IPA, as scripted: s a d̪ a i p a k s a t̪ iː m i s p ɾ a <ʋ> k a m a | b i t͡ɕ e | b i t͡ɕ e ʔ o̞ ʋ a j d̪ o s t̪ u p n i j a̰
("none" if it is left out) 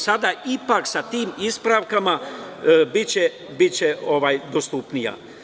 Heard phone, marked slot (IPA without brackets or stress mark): ʋ